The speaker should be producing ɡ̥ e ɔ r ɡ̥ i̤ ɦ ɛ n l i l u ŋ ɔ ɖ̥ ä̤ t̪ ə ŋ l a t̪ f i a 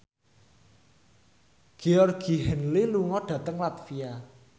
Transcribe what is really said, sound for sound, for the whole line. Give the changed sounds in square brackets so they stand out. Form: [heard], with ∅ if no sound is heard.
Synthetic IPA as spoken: ɡ̥ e ɔ r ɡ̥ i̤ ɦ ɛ n l i l u ŋ ɔ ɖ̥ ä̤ t̪ ə ŋ l a t̪ f i a